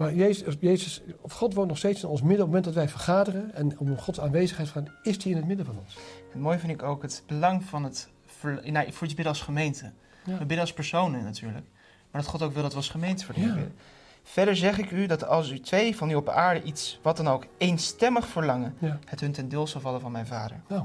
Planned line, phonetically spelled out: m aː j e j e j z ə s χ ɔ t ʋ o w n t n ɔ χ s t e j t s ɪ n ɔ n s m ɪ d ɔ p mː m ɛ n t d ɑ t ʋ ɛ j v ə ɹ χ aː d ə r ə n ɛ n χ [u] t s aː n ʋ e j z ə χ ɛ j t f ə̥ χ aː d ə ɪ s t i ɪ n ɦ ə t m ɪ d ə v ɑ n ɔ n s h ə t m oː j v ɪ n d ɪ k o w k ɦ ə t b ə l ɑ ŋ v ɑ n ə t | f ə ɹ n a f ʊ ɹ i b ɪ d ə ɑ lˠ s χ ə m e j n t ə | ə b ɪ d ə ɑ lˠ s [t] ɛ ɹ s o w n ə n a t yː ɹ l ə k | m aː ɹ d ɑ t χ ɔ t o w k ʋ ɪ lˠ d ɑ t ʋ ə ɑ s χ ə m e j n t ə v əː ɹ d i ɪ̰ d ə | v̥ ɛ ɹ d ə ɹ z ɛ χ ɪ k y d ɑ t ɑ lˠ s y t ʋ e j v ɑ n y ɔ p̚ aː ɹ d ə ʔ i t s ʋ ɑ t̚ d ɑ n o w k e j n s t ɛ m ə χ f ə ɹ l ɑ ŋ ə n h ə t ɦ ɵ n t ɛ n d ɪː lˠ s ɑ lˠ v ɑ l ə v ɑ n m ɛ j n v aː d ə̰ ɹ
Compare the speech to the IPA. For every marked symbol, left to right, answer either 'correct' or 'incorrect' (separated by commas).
incorrect, incorrect